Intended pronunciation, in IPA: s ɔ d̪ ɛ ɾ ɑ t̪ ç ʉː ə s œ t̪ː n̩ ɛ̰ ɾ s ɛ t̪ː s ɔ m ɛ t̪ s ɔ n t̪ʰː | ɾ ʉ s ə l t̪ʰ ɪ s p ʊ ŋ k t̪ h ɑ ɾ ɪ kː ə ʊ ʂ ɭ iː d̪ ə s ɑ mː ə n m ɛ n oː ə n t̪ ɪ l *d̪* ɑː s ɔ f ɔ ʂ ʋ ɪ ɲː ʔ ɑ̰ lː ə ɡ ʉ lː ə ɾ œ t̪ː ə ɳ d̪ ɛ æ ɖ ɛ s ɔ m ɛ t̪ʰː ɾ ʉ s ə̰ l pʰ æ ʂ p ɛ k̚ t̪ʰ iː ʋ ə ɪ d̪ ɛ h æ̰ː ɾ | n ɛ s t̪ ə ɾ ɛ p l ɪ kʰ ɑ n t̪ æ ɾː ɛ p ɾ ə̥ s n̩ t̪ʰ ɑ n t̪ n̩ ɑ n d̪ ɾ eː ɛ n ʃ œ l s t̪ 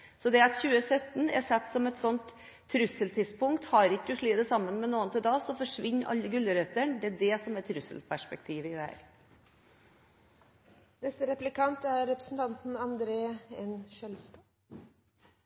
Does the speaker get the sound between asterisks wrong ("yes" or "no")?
no